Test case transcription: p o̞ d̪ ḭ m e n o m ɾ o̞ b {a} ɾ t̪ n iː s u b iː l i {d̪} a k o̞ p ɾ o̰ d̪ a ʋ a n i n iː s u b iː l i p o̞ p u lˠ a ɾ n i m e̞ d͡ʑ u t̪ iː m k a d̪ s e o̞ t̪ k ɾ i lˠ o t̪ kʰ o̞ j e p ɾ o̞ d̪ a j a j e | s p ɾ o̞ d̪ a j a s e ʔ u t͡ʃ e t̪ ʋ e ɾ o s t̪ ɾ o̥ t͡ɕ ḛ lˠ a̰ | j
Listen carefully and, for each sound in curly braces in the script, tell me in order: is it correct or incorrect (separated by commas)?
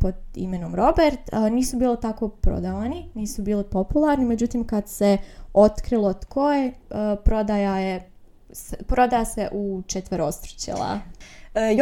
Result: incorrect, incorrect